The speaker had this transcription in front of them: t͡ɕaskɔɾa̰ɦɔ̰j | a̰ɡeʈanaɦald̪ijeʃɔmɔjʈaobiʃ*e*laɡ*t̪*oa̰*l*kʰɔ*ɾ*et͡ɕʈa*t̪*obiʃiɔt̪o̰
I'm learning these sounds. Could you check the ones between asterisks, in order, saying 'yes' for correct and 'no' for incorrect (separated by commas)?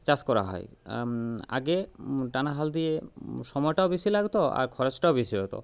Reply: no, yes, no, yes, no